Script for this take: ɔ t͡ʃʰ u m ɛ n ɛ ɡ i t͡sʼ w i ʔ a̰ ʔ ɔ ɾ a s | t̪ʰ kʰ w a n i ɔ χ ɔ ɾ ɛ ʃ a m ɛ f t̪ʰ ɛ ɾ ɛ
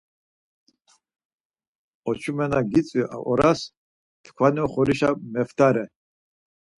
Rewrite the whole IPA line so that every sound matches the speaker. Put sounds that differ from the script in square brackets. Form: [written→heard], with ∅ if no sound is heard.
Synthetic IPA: ɔ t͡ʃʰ u m ɛ n [ɛ→a] ɡ i t͡sʼ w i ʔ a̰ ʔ ɔ ɾ a s | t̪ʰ kʰ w a n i ɔ χ ɔ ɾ [ɛ→i] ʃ a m ɛ f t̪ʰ [ɛ→a] ɾ ɛ